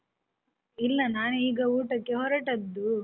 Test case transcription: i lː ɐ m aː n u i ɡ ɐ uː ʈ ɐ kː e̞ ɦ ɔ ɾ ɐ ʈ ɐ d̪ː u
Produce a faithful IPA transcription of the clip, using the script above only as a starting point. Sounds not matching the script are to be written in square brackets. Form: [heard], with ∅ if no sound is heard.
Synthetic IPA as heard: i lː ɐ [n] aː n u [iː] ɡ ɐ uː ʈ ɐ kː e̞ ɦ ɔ ɾ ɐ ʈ ɐ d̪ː u